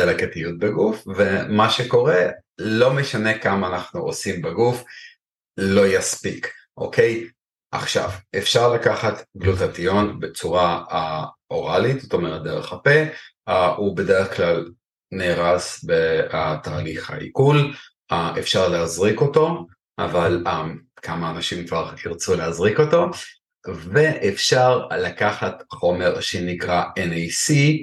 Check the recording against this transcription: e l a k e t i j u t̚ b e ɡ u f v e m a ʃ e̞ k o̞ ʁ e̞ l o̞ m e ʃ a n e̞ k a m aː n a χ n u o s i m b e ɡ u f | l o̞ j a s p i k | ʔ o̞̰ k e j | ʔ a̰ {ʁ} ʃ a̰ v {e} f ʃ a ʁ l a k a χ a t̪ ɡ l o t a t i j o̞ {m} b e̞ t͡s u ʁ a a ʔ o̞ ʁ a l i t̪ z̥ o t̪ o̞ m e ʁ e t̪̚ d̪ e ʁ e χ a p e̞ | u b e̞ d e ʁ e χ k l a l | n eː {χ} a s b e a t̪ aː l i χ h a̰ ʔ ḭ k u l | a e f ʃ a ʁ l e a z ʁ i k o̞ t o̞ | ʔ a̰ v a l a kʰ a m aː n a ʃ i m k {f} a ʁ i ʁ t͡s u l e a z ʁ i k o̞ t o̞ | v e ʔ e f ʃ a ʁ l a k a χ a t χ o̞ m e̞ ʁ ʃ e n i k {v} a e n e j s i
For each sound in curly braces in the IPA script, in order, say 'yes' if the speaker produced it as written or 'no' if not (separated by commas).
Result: no, yes, no, no, no, no